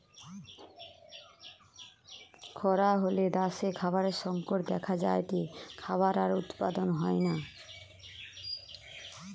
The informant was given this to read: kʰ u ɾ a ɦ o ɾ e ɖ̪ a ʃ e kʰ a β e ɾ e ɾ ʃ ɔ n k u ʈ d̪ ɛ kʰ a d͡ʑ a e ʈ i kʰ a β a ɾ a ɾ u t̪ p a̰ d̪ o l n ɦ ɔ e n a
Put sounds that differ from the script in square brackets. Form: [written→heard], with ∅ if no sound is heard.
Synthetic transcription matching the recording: kʰ [u→ɔ] ɾ a ɦ o [ɾ→l] e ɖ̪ a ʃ e kʰ a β [e→a] ɾ e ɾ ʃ ɔ [n→ŋ] k [u→o] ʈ d̪ ɛ kʰ a d͡ʑ a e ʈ i kʰ a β a ɾ a ɾ u t̪ p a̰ d̪ o [l→∅] n ɦ ɔ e n a